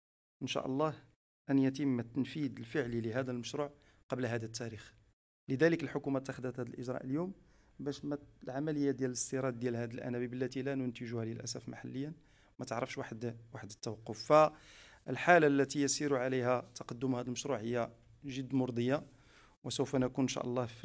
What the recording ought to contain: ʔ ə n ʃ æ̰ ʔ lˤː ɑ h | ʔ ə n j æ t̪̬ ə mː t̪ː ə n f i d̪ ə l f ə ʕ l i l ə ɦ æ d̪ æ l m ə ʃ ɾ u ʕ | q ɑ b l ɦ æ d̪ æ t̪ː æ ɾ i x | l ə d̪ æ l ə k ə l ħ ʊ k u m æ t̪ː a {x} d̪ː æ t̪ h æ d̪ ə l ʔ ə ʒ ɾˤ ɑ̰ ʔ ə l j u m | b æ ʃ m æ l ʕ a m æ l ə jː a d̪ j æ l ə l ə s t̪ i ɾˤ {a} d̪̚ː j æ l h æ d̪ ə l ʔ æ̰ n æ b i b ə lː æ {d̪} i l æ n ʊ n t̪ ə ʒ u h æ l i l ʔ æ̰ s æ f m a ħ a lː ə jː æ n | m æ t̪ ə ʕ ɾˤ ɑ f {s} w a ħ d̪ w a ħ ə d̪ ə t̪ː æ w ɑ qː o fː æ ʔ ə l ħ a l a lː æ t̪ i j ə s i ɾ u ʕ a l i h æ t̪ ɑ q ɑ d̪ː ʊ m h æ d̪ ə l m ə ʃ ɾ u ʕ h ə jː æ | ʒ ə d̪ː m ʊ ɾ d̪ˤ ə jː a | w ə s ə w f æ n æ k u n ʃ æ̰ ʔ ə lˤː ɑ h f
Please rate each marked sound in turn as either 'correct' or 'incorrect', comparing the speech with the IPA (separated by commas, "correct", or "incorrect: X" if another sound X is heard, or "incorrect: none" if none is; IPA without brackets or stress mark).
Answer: correct, incorrect: ɑ, incorrect: t̪, incorrect: ʃ